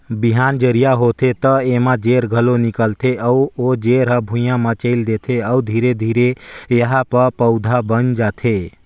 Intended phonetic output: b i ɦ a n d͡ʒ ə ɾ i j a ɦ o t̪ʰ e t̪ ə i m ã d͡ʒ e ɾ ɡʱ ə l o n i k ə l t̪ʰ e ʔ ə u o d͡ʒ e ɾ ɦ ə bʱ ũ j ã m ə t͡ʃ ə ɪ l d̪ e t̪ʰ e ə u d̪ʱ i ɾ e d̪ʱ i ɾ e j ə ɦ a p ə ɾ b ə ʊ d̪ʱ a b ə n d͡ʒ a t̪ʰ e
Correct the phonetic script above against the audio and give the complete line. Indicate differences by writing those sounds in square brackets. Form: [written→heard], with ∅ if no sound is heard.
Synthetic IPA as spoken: b i ɦ a n d͡ʒ ə ɾ i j a ɦ o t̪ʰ e t̪ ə [i→e] m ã d͡ʒ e ɾ ɡʱ ə l o n i k ə l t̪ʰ e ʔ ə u o d͡ʒ e ɾ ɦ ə bʱ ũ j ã m ə t͡ʃ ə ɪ l d̪ e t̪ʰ e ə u d̪ʱ i ɾ e d̪ʱ i ɾ e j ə ɦ a p ə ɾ [b→p] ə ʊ d̪ʱ a b ə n d͡ʒ a t̪ʰ e